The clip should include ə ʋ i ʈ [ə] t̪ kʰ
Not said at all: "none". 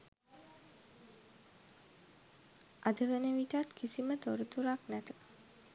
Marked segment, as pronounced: a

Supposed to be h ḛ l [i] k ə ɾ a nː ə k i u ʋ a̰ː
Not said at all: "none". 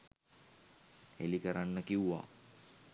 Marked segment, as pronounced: i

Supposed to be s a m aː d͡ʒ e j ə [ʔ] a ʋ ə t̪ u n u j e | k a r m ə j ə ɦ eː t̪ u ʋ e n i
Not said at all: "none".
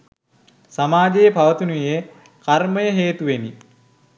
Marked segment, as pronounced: p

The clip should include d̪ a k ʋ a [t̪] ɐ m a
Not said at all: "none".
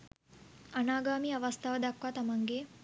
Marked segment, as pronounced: t̪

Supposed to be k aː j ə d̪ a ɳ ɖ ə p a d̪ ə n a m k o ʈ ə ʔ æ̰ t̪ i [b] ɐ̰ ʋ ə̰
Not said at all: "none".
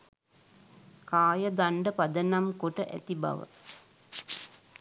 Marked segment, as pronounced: b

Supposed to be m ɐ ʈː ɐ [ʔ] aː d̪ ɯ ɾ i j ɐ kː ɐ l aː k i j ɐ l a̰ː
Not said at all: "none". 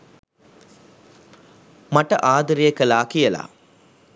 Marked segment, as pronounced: ʔ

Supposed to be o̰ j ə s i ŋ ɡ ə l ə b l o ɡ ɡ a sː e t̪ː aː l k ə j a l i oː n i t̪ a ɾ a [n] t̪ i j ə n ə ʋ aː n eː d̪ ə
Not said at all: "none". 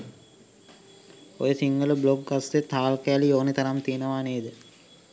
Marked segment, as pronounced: m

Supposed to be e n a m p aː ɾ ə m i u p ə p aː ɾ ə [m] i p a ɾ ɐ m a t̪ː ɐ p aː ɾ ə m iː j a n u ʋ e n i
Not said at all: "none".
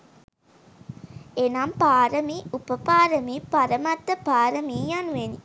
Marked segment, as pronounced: m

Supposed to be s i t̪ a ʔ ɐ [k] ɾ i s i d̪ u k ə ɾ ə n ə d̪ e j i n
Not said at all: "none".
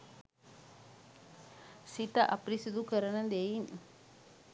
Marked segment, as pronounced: p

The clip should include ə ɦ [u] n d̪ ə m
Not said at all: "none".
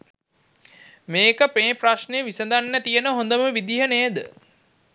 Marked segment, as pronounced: o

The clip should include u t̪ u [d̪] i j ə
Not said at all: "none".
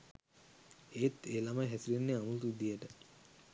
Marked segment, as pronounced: d̪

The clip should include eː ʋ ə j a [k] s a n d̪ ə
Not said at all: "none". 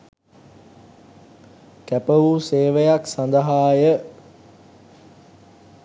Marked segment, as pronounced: k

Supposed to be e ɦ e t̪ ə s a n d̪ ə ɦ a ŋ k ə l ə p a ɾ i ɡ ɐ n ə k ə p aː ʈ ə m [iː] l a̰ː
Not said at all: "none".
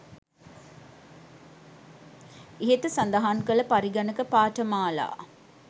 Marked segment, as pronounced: aː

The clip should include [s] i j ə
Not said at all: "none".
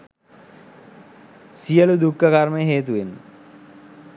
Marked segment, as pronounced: s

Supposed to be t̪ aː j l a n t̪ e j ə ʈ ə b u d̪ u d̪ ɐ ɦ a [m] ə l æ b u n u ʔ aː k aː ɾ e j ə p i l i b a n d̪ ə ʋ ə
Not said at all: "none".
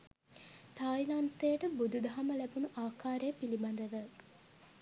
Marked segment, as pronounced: m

